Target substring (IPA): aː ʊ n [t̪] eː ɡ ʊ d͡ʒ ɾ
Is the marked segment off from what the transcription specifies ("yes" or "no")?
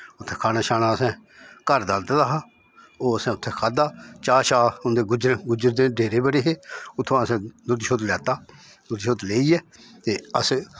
yes